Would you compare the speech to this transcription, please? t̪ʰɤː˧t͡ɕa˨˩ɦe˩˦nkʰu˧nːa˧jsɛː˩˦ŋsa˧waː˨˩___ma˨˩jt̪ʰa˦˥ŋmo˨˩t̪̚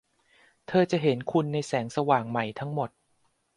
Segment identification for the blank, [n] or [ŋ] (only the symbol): ŋ